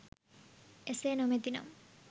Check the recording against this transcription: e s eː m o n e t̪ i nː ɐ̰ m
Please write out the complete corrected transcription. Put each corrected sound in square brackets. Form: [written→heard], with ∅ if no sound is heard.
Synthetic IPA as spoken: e s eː [m→n] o [n→m] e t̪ i [nː→n] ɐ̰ m